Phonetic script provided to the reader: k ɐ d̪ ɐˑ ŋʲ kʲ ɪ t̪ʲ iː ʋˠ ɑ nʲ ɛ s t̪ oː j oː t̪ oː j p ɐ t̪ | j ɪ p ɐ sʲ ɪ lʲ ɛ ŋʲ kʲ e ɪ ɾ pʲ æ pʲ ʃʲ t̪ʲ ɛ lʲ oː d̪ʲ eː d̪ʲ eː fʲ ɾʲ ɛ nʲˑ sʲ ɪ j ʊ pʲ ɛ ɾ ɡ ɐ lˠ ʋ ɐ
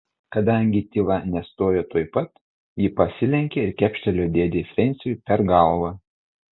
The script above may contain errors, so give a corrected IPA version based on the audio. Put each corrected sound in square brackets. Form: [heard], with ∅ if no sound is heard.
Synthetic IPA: k ɐ d̪ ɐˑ ŋʲ [ɡʲ] ɪ t̪ʲ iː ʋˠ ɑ nʲ ɛ s t̪ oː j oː t̪ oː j p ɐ t̪ | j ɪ p ɐ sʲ ɪ lʲ ɛ ŋʲ kʲ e ɪ ɾ [kʲ] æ pʲ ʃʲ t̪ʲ ɛ lʲ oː d̪ʲ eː d̪ʲ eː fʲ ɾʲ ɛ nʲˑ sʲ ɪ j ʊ pʲ ɛ ɾ ɡ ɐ lˠ ʋ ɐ